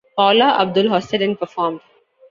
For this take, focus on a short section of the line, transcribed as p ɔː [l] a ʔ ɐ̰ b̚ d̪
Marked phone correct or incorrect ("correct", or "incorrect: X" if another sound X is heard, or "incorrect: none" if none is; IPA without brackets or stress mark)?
correct